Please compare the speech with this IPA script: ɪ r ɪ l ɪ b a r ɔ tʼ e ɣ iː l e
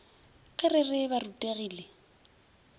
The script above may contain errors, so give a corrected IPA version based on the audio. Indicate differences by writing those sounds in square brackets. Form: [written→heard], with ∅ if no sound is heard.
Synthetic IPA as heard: ɪ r ɪ [l→r] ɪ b a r [ɔ→u] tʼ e ɣ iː l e